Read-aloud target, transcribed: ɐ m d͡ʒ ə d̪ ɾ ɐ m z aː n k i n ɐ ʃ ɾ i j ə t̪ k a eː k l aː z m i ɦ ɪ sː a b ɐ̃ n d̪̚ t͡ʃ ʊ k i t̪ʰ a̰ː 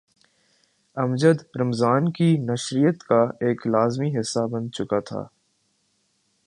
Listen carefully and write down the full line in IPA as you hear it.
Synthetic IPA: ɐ m d͡ʒ ə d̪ ɾ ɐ m z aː n k i n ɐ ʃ ɾ i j ə t̪ k a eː k l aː z m i ɦ ɪ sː a b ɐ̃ n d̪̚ t͡ʃ ʊ k a t̪ʰ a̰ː